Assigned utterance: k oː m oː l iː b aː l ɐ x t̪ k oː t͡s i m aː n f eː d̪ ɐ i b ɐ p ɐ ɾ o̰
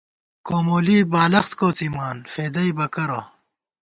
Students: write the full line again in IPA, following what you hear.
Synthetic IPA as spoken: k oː m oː l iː b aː l ɐ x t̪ k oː t͡s i m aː n f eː d̪ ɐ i b ɐ k ɐ ɾ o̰